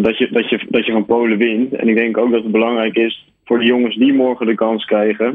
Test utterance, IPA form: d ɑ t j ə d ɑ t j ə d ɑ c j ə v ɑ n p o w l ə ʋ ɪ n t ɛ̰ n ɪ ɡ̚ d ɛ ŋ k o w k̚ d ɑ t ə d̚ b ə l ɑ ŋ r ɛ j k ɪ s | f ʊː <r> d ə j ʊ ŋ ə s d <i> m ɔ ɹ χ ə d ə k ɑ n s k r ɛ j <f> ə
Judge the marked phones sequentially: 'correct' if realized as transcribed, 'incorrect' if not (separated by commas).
incorrect, correct, incorrect